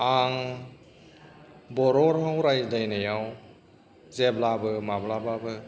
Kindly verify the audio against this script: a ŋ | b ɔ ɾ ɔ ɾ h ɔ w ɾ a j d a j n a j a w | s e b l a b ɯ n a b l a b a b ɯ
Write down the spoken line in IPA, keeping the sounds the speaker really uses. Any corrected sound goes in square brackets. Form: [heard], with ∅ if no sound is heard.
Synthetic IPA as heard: a ŋ | b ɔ ɾ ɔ ɾ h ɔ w ɾ a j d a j n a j a w | [z] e b l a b ɯ [m] a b l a b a b ɯ